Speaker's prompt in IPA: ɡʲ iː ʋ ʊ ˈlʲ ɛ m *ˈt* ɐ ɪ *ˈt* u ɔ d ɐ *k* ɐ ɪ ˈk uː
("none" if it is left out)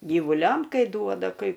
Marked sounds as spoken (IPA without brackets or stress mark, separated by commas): k, d, k